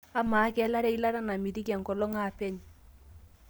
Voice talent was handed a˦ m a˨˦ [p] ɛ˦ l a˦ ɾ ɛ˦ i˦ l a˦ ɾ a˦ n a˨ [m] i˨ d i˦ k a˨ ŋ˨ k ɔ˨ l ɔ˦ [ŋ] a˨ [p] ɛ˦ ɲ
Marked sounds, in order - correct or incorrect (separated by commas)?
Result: incorrect, correct, correct, correct